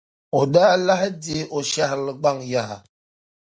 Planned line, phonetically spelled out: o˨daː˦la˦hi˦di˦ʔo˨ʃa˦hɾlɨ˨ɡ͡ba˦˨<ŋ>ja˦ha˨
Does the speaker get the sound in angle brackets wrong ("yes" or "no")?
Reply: no